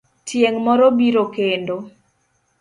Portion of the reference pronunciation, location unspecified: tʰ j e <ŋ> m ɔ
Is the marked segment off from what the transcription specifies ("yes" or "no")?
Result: no